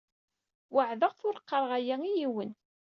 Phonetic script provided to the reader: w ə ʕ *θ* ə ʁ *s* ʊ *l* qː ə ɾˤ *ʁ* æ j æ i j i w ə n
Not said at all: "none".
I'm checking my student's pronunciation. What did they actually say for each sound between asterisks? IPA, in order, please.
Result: ð, θ, ɾ, ʁ

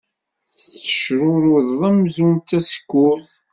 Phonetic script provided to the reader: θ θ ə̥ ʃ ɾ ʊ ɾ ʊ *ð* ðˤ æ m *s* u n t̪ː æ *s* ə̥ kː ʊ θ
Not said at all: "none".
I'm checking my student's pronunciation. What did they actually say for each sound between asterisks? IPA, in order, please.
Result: ð, z, s

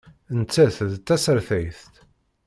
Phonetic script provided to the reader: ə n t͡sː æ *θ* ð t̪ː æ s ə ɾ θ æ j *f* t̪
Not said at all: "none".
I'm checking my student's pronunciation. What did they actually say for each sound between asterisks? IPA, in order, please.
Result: θ, θ

